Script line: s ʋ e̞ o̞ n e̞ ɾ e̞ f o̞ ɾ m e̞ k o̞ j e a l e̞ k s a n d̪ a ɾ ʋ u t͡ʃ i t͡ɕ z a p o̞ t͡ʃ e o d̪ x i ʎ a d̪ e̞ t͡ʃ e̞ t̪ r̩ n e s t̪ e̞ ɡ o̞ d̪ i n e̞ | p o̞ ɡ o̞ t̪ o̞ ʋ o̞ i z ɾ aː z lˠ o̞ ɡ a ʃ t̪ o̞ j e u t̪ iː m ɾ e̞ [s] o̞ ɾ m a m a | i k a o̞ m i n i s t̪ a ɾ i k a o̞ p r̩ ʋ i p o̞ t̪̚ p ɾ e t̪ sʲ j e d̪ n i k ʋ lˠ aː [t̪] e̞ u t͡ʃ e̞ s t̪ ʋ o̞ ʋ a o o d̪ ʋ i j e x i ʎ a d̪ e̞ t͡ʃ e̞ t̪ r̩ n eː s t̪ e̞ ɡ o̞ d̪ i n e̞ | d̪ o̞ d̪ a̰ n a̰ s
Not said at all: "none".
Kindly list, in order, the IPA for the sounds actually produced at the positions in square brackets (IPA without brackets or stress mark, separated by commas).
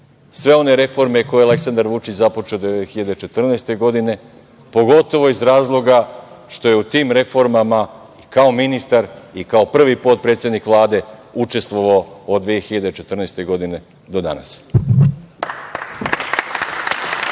f, d̪